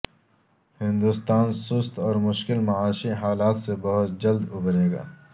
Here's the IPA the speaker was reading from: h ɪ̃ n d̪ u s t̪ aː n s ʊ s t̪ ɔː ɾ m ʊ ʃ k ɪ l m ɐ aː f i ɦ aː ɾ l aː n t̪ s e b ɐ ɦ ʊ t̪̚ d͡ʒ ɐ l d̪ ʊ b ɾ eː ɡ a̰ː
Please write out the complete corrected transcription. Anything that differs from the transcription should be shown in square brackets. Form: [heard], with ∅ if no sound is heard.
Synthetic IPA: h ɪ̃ n d̪ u s t̪ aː n s ʊ s t̪ ɔː ɾ m ʊ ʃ k ɪ l m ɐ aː [ʃ] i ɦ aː [∅] l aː [∅] t̪ s e b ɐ ɦ ʊ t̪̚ d͡ʒ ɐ l d̪ ʊ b ɾ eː ɡ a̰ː